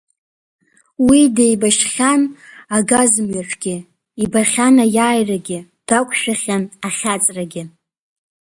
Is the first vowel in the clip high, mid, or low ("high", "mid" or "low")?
high